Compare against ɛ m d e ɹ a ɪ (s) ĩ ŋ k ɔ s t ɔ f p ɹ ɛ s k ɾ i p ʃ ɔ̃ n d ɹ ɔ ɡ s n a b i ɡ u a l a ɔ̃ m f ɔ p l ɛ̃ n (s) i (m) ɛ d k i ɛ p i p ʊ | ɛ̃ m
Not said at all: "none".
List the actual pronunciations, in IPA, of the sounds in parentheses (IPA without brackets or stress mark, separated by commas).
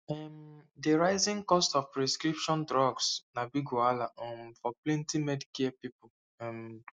z, t, m